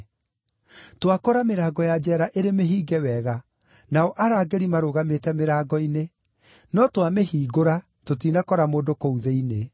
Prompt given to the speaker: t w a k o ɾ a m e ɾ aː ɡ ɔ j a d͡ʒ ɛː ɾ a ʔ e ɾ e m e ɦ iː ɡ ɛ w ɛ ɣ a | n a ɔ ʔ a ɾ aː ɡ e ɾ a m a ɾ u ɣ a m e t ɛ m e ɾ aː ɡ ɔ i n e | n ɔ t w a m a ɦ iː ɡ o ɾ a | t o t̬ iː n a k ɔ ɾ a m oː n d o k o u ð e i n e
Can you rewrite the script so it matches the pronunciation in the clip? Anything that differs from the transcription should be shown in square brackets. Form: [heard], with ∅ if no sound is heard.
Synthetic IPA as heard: t w a k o ɾ a m e ɾ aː ɡ ɔ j a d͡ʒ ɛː ɾ a ʔ e ɾ e m e ɦ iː ɡ ɛ w ɛ ɣ a | n a ɔ ʔ a ɾ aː ɡ e ɾ [i] m a ɾ [o] ɣ a m e t ɛ m e ɾ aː ɡ ɔ i n e | n ɔ t w a m [e] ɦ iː ɡ o ɾ a | t o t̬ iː n a k ɔ ɾ a m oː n d o k o u ð e i n e